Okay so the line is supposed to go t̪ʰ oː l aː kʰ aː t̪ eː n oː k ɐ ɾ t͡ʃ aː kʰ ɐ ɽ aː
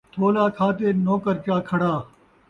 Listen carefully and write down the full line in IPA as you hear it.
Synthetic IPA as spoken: t̪ʰ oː l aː kʰ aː t̪ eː n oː k ə ɾ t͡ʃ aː kʰ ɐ ɽ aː